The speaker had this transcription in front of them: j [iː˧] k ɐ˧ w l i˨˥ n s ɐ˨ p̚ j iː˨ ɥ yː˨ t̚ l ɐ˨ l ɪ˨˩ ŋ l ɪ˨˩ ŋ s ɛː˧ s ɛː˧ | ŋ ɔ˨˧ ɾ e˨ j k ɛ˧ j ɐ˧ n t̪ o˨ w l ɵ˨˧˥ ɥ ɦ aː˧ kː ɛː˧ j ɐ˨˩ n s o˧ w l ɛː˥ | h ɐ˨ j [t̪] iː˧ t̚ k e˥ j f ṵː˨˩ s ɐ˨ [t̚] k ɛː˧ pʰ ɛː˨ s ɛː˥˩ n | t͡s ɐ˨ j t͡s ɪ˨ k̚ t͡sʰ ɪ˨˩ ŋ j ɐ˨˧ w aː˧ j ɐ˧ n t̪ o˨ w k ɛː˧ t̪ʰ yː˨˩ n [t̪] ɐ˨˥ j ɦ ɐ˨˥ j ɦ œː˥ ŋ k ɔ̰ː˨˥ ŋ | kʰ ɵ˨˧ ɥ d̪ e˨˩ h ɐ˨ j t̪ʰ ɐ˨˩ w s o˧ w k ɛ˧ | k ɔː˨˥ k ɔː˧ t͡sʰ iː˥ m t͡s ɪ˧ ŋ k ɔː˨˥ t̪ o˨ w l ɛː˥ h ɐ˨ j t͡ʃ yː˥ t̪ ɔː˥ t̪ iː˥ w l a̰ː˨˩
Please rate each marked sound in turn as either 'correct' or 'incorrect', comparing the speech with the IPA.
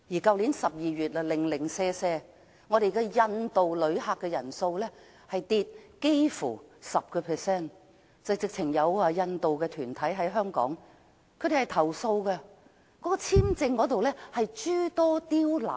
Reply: incorrect, correct, incorrect, incorrect

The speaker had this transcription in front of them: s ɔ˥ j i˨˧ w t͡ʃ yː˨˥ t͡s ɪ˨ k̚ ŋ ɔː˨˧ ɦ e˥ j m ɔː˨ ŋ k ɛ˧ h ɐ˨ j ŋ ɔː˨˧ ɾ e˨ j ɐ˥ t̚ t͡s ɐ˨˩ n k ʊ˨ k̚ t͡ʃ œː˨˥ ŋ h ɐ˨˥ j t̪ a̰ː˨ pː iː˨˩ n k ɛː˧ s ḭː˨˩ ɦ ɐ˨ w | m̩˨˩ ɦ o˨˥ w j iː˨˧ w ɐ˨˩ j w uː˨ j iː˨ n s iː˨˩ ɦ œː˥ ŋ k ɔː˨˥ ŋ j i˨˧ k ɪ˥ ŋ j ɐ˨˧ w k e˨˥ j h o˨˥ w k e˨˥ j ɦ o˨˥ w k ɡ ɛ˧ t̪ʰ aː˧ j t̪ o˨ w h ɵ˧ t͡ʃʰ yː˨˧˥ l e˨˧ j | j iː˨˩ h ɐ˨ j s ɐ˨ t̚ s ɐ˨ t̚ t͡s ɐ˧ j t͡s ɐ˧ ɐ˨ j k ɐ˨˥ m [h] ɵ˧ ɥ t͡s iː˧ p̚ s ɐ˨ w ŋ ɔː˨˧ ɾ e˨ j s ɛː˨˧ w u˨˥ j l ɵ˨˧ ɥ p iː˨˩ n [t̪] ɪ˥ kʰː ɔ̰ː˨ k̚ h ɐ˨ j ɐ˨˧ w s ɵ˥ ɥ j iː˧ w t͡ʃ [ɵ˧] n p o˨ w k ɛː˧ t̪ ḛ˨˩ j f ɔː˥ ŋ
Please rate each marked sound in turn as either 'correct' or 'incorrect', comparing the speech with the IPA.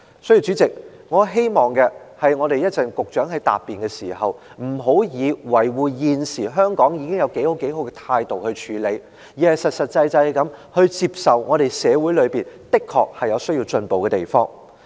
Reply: correct, correct, correct

